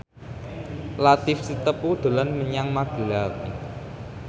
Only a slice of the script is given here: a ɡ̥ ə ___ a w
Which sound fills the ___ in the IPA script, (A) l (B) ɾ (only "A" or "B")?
A